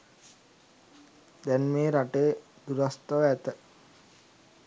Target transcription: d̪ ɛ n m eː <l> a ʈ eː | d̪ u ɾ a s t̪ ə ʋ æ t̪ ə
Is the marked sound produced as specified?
no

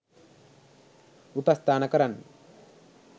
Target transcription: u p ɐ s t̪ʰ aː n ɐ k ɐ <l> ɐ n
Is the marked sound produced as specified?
no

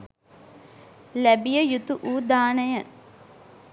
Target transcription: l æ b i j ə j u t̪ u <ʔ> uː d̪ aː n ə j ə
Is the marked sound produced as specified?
yes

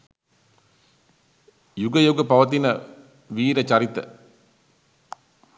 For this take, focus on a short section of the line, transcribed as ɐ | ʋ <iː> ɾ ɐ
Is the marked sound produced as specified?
yes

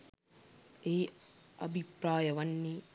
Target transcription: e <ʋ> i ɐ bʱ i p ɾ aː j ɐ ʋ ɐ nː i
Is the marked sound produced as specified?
no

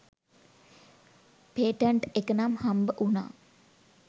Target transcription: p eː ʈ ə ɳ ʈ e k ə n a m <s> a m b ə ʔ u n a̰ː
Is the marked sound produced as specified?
no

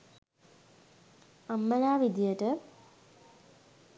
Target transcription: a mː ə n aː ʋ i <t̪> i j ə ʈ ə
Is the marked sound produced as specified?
no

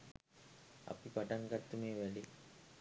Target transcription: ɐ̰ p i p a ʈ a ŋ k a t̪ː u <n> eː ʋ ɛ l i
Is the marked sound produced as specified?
no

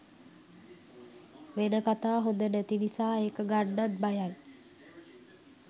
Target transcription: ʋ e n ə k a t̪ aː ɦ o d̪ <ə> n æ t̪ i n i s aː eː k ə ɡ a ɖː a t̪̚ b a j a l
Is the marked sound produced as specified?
yes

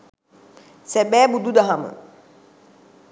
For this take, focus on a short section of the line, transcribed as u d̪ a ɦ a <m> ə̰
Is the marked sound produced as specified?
yes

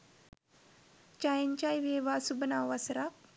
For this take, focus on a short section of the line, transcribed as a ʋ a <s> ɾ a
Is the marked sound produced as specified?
yes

